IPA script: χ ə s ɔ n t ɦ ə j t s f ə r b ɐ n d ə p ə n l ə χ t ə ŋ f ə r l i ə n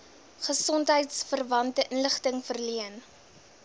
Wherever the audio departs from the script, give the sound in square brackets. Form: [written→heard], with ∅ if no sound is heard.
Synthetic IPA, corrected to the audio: χ ə s ɔ n t ɦ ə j t s f ə r [b→v] ɐ n [d→t] ə [p→ʔ] ə n l ə χ t ə ŋ f ə r l i ə n